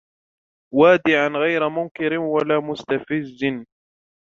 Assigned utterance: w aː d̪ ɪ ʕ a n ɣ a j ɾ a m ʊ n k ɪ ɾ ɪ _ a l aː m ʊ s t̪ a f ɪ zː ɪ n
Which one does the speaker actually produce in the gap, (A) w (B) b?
A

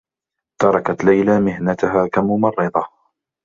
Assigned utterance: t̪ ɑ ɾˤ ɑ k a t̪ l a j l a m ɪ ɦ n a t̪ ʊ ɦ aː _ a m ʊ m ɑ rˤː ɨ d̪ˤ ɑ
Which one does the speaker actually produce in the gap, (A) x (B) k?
B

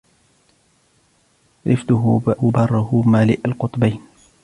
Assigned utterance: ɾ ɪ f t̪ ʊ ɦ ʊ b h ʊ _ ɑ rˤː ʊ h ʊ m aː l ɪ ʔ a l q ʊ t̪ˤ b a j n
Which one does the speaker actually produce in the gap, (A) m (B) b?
B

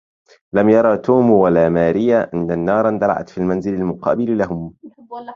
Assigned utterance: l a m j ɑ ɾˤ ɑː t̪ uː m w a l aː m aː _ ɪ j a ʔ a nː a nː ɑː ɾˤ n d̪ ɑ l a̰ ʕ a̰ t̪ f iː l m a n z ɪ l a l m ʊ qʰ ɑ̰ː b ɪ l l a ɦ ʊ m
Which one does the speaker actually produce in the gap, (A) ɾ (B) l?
A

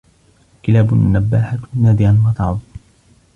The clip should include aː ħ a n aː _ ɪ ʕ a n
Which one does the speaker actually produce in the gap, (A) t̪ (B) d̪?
B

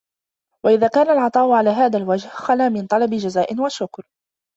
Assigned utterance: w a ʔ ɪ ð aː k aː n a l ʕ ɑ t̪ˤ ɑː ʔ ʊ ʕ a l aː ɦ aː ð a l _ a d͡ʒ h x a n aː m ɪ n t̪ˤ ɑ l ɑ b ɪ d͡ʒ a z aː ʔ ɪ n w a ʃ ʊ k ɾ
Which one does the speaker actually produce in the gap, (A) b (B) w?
B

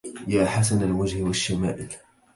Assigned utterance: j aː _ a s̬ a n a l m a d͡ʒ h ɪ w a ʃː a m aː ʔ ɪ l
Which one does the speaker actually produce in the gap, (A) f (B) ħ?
B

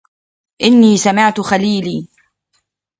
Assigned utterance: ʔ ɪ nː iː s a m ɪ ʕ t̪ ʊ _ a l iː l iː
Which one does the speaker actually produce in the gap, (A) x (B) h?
A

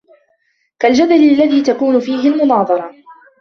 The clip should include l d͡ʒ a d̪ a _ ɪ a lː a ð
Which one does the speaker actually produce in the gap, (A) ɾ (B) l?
B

